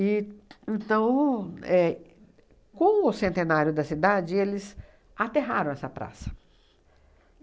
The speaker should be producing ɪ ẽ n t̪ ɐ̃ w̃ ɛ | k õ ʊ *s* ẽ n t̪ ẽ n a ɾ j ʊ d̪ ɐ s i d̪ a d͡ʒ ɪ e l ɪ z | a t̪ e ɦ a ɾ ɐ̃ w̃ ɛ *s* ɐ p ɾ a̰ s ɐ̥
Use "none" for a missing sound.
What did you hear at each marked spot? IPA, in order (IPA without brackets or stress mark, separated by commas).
s, s